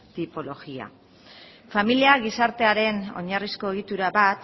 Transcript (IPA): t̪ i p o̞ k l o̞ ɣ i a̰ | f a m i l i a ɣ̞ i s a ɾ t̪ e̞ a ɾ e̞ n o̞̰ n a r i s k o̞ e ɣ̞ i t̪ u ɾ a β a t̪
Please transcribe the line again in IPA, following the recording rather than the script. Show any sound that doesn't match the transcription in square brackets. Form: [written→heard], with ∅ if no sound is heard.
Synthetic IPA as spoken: t̪ i p o̞ [k→∅] l o̞ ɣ i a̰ | f a m i l i a ɣ̞ i s a ɾ t̪ e̞ a ɾ e̞ n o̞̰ [n→ɲ] a r i s k o̞ e ɣ̞ i t̪ u ɾ a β a t̪